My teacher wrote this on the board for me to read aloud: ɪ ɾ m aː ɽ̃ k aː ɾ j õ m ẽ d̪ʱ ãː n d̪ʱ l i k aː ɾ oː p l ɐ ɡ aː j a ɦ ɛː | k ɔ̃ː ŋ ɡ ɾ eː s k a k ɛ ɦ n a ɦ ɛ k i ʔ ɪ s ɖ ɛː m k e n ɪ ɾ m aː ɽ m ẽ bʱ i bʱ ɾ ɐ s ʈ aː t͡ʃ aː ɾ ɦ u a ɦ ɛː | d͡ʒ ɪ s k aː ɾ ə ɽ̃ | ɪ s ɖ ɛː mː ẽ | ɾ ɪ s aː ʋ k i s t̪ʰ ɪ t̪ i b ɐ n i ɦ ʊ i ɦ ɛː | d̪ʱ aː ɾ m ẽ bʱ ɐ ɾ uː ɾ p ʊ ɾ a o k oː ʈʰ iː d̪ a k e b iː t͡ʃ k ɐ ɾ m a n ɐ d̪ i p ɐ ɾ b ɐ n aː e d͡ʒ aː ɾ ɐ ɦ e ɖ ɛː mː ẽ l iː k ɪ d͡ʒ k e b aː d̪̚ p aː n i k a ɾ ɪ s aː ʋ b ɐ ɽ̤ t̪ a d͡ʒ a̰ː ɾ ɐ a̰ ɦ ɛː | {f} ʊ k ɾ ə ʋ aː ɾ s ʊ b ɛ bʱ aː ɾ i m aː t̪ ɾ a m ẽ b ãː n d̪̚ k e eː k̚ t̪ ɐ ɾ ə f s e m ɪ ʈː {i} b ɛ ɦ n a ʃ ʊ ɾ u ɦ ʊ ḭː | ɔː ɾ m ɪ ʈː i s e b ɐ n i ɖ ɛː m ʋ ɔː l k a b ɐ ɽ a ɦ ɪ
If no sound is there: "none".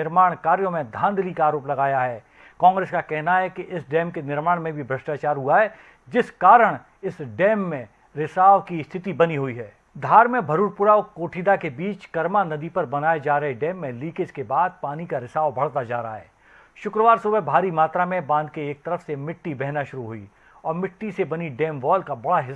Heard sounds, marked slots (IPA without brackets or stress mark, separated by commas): ʃ, i